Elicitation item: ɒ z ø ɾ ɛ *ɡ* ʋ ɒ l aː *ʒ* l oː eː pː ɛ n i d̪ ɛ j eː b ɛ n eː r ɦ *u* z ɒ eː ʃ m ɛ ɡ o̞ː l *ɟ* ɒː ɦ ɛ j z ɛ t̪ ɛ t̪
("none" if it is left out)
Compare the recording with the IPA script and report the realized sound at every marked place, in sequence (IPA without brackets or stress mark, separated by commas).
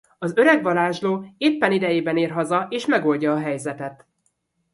ɡ, ʒ, ɒ, ɟ